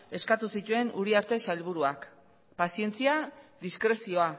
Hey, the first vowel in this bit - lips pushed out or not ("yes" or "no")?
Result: no